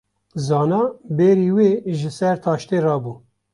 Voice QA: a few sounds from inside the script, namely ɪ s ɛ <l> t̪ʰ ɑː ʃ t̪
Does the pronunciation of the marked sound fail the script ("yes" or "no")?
yes